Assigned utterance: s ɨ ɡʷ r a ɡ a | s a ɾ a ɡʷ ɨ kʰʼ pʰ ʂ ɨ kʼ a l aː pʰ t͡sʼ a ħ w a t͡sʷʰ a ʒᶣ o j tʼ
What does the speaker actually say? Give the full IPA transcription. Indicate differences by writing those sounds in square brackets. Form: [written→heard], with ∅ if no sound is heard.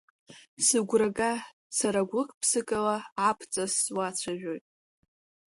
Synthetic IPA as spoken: s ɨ ɡʷ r a ɡ a | s a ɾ a ɡʷ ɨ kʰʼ pʰ [ʂ→s] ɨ kʼ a l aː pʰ t͡sʼ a [ħ→s] w a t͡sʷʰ a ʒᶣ o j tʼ